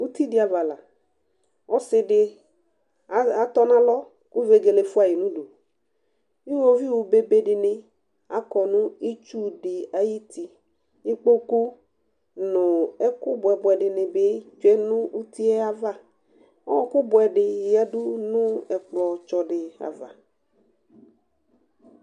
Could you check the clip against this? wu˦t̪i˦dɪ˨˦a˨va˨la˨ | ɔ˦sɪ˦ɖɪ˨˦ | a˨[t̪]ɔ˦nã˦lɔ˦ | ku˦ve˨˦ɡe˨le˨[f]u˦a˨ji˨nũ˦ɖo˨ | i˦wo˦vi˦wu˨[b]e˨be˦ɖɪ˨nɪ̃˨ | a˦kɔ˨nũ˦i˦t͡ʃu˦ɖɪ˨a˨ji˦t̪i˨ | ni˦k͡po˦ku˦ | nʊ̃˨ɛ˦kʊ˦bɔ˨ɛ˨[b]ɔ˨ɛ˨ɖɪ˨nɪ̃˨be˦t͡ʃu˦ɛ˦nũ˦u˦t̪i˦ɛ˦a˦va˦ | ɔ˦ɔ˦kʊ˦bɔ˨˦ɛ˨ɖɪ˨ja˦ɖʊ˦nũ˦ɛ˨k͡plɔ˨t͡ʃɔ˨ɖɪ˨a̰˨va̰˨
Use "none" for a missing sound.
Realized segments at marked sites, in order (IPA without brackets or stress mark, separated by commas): t̪, f, b, b